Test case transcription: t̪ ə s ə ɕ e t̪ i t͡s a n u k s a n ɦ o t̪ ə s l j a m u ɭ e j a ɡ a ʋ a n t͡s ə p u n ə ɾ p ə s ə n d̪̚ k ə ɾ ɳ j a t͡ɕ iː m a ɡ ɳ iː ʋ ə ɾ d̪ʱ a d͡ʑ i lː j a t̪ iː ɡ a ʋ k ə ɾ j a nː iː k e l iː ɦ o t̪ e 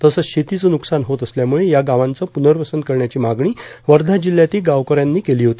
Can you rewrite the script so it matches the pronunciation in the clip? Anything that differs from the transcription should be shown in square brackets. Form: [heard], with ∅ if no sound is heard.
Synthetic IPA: t̪ ə s ə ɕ e t̪ i t͡s [ə] n u k s a n ɦ o t̪ ə s l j a m u ɭ e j a ɡ a ʋ a n t͡s ə p u n ə ɾ p ə s ə n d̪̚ k ə ɾ ɳ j a t͡ɕ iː m a ɡ ɳ iː ʋ ə ɾ d̪ʱ a d͡ʑ i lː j a t̪ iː ɡ a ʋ k ə ɾ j a nː iː k e l iː ɦ o t̪ [i]